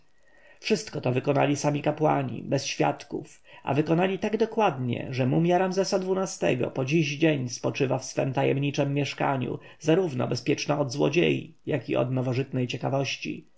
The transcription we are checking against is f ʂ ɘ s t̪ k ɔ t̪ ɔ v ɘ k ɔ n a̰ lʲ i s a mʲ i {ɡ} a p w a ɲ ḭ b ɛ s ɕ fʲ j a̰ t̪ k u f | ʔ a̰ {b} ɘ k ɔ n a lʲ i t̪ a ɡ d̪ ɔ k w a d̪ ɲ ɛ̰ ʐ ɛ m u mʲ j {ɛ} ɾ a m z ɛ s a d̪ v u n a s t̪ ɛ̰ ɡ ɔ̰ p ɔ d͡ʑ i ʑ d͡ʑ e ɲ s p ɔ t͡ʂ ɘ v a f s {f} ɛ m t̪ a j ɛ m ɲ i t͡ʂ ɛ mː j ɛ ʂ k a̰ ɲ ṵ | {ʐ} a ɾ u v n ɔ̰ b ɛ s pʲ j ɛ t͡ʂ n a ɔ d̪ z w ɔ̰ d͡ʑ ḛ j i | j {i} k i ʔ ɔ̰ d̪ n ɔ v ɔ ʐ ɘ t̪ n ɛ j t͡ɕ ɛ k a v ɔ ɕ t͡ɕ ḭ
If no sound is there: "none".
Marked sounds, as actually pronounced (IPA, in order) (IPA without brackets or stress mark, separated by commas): k, v, a, f, z, a